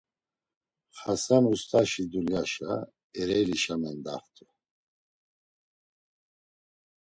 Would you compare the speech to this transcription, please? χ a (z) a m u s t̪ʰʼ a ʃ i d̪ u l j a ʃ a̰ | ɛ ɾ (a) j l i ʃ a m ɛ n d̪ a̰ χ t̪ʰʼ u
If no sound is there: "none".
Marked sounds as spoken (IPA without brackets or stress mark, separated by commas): s, ɛ